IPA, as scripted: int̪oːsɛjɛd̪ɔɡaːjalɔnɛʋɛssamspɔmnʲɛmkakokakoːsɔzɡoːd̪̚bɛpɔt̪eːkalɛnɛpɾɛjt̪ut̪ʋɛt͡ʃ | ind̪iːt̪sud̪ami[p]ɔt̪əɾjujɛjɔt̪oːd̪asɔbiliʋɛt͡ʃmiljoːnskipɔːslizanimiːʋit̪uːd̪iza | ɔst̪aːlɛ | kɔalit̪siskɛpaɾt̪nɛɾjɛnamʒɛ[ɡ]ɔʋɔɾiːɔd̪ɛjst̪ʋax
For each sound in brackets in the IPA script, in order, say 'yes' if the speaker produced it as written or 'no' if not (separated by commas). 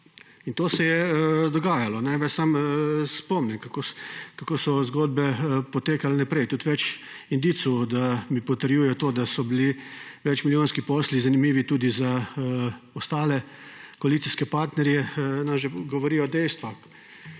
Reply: yes, yes